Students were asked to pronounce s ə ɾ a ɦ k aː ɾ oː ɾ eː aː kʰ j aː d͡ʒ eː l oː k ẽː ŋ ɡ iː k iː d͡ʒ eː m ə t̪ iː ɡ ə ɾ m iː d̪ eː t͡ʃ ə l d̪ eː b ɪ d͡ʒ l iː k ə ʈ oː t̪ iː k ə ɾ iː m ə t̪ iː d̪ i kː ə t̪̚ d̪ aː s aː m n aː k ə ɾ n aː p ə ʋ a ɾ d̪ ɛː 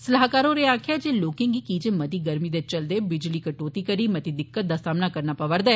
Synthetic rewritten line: s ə l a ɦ k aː ɾ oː ɾ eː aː kʰ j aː d͡ʒ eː l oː k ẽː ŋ ɡ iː k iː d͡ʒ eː m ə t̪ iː ɡ ə ɾ m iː d̪ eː t͡ʃ ə l d̪ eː b ɪ d͡ʒ l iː k ə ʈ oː t̪ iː k ə ɾ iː m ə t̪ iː d̪ ɪ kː ə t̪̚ d̪ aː s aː m n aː k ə ɾ n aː p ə ʋ ə ɾ d̪ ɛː